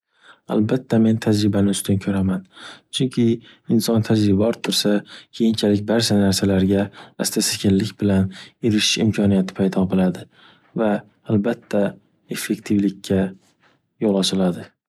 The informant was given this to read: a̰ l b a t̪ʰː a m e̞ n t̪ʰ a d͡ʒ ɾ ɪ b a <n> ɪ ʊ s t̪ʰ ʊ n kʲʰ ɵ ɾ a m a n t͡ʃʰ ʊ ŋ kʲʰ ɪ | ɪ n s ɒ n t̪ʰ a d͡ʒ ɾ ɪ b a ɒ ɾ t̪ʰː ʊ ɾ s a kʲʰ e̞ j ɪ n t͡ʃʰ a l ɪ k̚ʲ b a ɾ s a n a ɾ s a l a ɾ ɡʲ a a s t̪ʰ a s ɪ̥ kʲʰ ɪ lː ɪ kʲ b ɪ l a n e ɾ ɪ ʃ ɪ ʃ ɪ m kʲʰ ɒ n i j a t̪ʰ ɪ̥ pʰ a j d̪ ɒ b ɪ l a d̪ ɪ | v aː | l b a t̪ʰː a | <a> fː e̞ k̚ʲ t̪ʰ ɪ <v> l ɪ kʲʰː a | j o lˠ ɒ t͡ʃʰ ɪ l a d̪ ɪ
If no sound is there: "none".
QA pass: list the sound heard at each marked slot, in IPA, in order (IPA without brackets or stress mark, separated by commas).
n, e, v